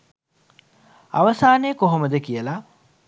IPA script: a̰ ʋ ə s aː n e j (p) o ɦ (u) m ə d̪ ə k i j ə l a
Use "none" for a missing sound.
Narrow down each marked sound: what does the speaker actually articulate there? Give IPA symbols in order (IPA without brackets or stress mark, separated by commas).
k, o